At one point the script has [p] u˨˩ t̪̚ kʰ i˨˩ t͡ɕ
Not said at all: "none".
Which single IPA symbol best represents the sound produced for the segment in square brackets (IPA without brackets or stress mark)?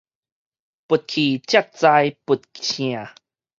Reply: p